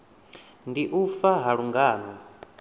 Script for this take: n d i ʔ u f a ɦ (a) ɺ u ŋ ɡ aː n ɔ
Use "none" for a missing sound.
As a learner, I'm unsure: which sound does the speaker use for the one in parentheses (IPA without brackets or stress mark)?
a